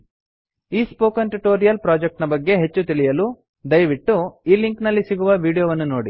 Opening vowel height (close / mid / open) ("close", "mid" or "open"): close